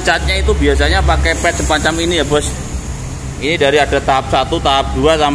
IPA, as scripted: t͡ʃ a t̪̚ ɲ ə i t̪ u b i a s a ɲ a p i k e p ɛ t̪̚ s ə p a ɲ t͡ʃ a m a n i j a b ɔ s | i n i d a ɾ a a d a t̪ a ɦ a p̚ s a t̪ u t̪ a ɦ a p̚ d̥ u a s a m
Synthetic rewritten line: t͡ʃ a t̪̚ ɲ a i t̪ u b i a s a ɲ a p a k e p ɛ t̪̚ s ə p a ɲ t͡ʃ a m i n i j a b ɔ s | i n i d a ɾ i a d a t̪ a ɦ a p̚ s a t̪ u t̪ a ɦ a p̚ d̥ u a s a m

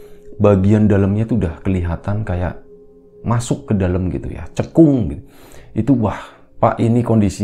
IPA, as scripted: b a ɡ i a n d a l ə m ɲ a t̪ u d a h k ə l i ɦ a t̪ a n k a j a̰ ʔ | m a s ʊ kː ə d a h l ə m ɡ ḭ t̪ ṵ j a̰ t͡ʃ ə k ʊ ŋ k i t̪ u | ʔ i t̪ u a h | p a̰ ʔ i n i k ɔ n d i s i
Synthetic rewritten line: b a ɡ i a n d a l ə m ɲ a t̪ u d a h k ə l i ɦ a t̪ a n k a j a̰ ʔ | m a s ʊ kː ə d a l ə m ɡ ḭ t̪ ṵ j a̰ t͡ʃ ə k ʊ ŋ ɡ i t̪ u | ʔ i t̪ u a h | p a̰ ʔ i n i k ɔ n d i s i

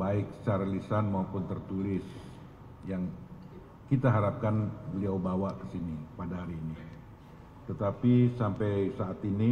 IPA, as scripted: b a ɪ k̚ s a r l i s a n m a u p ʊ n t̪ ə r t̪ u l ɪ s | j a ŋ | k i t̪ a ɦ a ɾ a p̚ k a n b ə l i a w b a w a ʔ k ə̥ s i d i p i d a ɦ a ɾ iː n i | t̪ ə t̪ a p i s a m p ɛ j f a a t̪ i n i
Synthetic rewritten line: b a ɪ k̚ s a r l i s a n m a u p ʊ n t̪ ə r t̪ u l ɪ s | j a ŋ | k i t̪ a ɦ a ɾ a p̚ k a n b ə l i a w b a w a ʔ k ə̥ s i n i p a d a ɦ a ɾ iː n i | t̪ ə t̪ a p i s a m p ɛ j s a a t̪ i n i

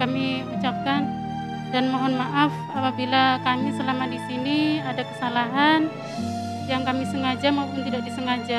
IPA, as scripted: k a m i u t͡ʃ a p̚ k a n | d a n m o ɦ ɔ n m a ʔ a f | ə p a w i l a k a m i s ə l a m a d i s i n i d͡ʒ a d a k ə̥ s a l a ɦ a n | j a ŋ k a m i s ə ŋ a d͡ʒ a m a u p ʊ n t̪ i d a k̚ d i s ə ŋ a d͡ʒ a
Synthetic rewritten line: k a m i u t͡ʃ a p̚ k a n | d a n m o ɦ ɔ n m a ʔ a f | a p a b i l a k a m i s ə l a m a d i s i n i a d a k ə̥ s a l a ɦ a n | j a ŋ k a m i s ə ŋ a d͡ʒ a m a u p ʊ n t̪ i d a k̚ d i s ə ŋ a d͡ʒ a

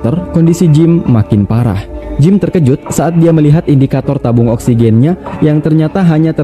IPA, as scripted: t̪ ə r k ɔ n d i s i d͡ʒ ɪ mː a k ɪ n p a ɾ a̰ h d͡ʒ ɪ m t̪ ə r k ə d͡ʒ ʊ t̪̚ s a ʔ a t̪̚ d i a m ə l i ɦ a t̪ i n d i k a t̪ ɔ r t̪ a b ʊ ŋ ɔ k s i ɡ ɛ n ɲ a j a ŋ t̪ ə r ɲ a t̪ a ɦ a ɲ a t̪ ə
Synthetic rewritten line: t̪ ə r k ɔ n d i s i d͡ʒ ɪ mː a k ɪ n p a ɾ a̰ h d͡ʒ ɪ m t̪ ə r k ə d͡ʒ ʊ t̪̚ s a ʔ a t̪̚ d i a m ə l i ɦ a t̪ i n d i k a t̪ ɔ r t̪ a b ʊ ŋ ɔ k s i ɡ ɛ n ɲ a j a ŋ t̪ ə r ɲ a t̪ a ɦ a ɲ a t̪ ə

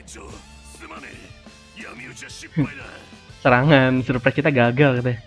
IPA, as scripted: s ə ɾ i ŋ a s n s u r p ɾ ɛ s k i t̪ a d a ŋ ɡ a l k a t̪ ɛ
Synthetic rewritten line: s ə ɾ a ŋ a n s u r p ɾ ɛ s k i t̪ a ɡ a ɡ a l k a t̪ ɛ

